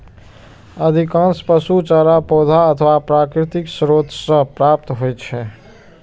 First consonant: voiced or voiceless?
voiced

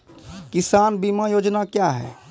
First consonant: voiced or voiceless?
voiceless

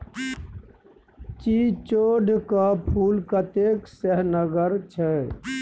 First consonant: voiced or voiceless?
voiceless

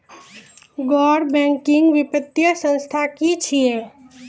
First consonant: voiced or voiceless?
voiced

